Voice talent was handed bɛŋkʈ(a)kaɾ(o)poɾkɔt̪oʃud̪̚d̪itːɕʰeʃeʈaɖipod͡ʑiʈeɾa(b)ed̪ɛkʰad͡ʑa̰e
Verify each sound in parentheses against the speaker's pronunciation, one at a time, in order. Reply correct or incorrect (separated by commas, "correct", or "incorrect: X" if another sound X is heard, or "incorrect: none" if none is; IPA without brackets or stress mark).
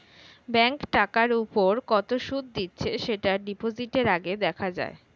correct, incorrect: u, incorrect: ɡ